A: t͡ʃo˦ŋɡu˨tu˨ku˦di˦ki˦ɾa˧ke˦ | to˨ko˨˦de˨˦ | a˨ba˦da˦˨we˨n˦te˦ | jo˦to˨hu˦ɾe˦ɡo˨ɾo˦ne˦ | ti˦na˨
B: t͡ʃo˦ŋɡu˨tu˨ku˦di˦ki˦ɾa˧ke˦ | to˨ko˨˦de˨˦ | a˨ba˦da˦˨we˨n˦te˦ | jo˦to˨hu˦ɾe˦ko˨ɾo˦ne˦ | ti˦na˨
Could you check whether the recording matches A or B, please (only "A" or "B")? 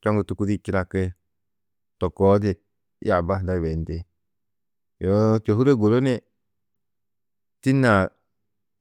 A